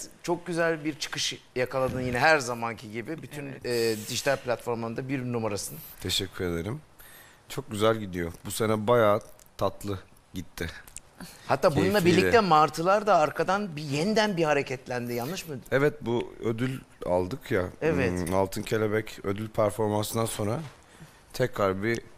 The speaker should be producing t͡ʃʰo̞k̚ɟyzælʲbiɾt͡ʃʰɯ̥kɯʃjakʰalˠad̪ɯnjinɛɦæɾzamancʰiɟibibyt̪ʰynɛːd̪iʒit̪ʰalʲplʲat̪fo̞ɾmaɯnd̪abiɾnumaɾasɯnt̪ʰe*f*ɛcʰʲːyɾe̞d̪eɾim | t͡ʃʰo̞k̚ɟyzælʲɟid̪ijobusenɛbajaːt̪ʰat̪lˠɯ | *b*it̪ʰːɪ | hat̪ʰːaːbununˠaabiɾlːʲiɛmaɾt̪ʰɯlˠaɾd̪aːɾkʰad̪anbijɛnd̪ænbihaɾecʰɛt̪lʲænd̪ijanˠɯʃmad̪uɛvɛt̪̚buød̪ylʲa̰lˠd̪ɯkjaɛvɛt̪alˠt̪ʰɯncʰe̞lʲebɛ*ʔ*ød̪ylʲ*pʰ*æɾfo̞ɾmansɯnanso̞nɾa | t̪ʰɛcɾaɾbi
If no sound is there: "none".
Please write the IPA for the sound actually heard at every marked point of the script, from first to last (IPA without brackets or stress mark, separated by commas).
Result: ʃ, ɟ, c, pʰ